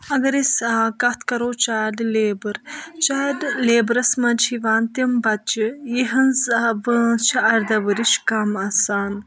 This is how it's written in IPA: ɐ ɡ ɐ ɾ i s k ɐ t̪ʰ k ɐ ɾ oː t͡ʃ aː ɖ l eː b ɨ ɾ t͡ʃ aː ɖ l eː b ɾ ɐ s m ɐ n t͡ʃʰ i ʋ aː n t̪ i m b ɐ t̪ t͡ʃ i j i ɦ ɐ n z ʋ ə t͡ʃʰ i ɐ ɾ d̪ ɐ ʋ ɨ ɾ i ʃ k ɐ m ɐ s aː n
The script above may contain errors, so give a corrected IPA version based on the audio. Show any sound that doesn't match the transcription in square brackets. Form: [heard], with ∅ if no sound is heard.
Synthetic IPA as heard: ɐ ɡ ɐ ɾ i s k ɐ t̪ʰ k ɐ ɾ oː t͡ʃ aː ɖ l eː b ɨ ɾ t͡ʃ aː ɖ l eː b ɾ ɐ s m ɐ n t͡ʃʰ i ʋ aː n t̪ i m b ɐ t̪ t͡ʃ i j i ɦ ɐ n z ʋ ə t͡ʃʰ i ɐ ɾ d̪ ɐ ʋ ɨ ɾ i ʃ k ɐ m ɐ s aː n